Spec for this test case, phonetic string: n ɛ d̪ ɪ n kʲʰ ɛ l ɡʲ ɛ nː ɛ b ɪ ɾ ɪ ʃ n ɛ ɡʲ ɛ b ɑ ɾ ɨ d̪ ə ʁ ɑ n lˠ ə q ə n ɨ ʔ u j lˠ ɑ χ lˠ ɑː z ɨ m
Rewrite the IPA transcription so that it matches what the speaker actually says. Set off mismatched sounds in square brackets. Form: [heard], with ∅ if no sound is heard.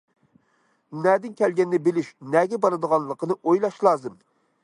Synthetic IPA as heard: n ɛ d̪ ɪ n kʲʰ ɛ l ɡʲ ɛ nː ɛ b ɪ [l] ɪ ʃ n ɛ ɡʲ ɛ b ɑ ɾ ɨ d̪ ə ʁ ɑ n lˠ ə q ə n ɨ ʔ [o] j lˠ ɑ [ʃ] lˠ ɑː z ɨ m